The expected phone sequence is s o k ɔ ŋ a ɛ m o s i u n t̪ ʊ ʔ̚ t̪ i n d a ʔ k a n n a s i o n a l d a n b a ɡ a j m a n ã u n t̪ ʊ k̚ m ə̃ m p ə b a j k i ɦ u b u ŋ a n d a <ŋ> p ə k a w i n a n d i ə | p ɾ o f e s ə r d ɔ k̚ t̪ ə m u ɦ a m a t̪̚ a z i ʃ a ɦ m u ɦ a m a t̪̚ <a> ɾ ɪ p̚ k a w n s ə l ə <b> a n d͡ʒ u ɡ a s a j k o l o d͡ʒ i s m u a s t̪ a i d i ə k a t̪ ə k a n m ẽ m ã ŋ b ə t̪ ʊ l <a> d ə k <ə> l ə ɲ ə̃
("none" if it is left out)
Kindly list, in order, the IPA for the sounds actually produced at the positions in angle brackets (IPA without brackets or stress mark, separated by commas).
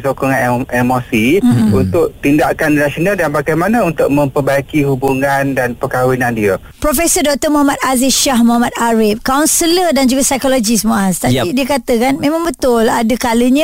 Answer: n, a, d, a, a